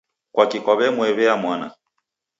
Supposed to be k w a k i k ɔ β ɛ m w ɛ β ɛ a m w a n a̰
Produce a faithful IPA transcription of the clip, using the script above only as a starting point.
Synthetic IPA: k w a k i k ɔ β ɛ m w ɛ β ɛ a m w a n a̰